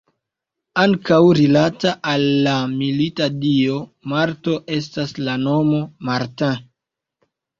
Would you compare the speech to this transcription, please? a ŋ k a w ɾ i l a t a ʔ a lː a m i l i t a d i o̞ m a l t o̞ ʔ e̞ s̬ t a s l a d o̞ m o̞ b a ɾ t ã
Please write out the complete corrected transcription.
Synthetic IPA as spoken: a ŋ k a w ɾ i l a t a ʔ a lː a m i l i t a d i o̞ m a ɾ t o̞ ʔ e̞ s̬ t a s l a n o̞ m o̞ m a ɾ t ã